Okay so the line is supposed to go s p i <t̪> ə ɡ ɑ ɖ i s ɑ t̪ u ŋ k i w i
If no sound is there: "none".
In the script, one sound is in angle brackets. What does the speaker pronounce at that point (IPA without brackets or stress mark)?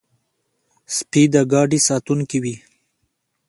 d̪